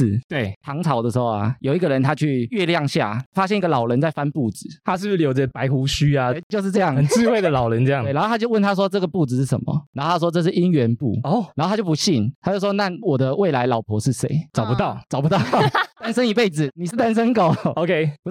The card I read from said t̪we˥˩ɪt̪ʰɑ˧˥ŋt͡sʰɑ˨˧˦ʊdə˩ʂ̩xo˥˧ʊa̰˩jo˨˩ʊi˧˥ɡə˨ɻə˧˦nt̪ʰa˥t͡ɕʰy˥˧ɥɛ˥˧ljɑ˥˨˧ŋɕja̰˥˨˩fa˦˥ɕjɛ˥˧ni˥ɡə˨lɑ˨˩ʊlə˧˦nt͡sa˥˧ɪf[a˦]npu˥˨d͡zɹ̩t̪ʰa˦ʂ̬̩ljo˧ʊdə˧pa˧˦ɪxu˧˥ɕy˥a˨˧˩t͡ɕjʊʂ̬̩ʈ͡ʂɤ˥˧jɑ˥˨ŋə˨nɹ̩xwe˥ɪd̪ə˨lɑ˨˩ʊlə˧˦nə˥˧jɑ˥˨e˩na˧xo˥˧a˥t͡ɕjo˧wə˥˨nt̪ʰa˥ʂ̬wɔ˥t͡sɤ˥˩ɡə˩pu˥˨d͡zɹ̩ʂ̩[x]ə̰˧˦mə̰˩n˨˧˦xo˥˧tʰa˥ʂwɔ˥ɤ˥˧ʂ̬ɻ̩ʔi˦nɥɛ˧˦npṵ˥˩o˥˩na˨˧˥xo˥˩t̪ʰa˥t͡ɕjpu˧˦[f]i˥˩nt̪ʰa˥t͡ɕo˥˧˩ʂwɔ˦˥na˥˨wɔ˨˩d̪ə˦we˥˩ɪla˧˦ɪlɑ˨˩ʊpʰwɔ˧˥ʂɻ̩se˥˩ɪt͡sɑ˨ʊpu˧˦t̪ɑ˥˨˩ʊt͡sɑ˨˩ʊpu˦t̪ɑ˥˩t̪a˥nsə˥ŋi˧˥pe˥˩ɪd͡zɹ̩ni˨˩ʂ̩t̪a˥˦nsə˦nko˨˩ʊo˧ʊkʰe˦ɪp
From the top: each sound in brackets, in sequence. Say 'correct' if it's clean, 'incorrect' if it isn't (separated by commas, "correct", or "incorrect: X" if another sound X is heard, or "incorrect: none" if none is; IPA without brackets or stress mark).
correct, incorrect: ʂ, incorrect: ɕ